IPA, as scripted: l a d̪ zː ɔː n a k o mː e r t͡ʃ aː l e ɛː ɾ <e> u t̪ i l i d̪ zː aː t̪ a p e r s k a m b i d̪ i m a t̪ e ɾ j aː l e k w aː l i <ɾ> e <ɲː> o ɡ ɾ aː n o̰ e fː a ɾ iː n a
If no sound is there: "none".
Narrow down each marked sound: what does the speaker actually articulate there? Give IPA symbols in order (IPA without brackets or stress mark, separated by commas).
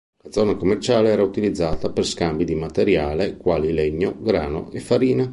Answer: a, l, ɲː